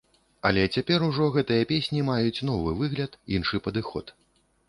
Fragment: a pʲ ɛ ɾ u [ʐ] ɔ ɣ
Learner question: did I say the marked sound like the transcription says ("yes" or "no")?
yes